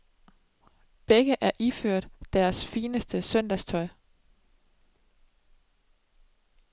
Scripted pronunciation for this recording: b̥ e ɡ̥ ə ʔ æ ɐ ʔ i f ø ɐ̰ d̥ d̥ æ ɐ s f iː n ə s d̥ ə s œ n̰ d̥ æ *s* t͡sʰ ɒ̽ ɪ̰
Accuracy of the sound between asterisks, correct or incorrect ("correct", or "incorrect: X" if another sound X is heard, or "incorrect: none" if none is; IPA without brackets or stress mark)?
correct